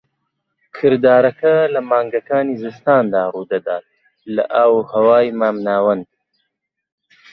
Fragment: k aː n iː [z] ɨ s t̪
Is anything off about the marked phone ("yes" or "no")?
no